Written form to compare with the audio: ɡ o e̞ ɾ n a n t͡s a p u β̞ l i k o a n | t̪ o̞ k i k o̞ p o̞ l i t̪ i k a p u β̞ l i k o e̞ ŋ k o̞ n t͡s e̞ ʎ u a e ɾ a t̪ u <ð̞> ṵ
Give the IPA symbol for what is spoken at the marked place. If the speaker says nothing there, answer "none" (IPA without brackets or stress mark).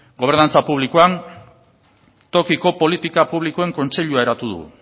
ð̞